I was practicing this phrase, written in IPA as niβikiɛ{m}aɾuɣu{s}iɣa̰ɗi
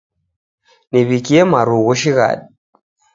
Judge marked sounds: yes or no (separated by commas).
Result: yes, no